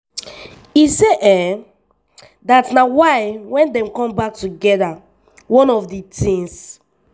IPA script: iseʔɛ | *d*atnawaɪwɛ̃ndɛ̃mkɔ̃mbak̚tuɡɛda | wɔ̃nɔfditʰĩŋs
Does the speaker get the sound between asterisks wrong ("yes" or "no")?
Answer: no